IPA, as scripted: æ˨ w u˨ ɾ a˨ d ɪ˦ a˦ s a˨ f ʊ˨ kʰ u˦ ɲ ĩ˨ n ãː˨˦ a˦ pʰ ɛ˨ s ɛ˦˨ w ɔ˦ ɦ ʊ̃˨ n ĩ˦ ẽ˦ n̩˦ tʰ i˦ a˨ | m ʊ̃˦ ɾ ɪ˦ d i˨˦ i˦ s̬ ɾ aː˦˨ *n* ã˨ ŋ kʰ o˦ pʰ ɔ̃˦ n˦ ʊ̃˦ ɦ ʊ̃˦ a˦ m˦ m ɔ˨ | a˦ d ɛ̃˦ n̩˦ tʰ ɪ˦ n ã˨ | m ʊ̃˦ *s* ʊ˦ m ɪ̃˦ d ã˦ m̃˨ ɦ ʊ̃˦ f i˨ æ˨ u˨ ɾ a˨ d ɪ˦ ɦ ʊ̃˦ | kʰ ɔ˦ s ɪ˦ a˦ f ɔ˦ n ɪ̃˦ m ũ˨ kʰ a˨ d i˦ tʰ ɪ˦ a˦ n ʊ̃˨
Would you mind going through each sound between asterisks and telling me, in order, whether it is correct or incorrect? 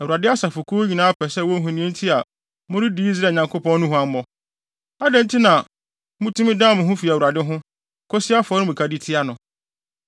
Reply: incorrect: ɲ, incorrect: t

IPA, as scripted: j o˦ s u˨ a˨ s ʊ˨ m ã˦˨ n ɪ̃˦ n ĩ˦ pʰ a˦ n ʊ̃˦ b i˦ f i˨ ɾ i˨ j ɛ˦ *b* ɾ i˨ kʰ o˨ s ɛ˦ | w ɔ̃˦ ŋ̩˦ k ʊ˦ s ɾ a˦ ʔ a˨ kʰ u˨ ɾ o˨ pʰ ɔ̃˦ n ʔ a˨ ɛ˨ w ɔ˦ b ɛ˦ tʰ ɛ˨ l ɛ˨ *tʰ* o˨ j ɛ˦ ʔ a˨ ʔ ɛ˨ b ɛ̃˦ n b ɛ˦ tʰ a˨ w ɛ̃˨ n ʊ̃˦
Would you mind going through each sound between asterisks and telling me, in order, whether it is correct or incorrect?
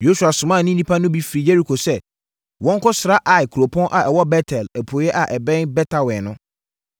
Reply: incorrect: none, incorrect: pʰ

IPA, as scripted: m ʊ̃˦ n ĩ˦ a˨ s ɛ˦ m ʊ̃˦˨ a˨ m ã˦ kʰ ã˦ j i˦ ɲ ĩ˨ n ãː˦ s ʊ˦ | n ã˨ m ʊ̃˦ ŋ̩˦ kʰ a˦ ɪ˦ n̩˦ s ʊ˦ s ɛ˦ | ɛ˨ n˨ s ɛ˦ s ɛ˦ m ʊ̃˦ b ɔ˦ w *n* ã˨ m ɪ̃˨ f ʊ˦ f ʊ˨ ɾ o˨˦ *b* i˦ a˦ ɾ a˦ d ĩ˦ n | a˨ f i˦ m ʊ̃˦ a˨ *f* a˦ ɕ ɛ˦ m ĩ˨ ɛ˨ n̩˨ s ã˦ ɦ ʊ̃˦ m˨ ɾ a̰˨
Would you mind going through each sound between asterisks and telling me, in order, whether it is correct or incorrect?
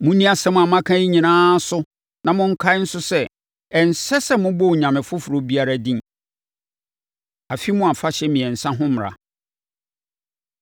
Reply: incorrect: ɲ, correct, correct

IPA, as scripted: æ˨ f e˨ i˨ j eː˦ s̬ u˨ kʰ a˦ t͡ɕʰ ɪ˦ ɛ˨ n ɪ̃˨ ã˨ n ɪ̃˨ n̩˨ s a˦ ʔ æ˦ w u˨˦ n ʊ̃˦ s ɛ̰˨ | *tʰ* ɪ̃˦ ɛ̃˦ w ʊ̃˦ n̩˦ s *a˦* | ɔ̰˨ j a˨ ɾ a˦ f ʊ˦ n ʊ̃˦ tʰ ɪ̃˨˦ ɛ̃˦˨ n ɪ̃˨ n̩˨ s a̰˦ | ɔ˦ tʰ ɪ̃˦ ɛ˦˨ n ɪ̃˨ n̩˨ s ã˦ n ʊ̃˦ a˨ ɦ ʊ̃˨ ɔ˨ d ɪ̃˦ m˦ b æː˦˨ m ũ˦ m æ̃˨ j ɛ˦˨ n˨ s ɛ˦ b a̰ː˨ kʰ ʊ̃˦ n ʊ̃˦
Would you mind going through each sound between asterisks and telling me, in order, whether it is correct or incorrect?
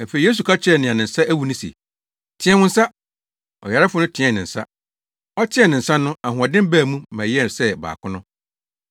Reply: correct, correct

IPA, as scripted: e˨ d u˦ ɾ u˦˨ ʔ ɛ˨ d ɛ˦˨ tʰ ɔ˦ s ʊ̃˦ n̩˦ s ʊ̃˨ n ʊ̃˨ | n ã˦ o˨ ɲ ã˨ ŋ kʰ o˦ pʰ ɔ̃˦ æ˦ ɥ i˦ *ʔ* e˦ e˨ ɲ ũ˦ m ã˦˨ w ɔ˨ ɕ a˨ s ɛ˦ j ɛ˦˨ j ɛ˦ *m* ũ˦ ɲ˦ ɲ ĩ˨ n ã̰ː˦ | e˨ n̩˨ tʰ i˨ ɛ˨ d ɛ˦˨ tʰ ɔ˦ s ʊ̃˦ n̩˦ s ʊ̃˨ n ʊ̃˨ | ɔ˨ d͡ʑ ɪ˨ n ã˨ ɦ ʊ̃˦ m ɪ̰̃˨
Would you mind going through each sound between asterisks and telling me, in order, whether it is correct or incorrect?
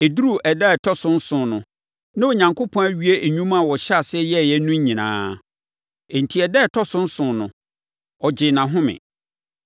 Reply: incorrect: none, incorrect: n

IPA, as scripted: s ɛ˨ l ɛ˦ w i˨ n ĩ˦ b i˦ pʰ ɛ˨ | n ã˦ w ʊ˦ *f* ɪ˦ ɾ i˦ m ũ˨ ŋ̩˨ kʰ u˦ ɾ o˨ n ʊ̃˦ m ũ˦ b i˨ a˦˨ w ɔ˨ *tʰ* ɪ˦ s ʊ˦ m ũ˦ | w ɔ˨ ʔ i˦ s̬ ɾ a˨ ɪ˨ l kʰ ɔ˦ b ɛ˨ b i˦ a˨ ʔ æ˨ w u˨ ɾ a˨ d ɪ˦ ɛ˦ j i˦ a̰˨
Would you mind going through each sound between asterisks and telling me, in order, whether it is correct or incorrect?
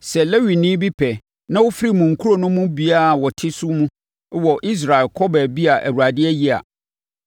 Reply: correct, correct

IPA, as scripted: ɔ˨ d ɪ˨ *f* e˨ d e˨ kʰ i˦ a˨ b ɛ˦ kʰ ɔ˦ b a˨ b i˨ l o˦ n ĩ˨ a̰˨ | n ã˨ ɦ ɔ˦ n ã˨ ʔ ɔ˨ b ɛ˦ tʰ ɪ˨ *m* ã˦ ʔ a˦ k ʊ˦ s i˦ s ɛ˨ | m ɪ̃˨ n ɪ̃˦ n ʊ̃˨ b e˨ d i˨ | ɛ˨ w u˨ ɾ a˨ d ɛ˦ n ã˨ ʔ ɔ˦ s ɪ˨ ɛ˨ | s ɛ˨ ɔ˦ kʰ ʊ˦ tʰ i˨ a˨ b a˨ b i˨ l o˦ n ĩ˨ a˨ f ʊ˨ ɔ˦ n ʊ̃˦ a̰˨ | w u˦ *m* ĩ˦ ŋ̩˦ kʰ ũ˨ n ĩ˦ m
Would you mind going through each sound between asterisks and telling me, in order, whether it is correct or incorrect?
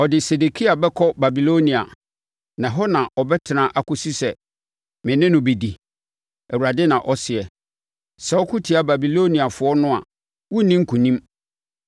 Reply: incorrect: s, incorrect: n, incorrect: n

